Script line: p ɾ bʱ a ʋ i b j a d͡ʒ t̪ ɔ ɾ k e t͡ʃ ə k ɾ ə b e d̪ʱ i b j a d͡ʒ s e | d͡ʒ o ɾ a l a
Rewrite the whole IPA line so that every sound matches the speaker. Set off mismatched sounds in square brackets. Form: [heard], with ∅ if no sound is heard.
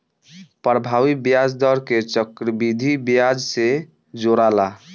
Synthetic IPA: p ɾ bʱ a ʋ i b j a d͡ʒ [d̪] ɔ ɾ k e t͡ʃ ə k ɾ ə b [i] d̪ʱ i b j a d͡ʒ s e | d͡ʒ o ɾ a l a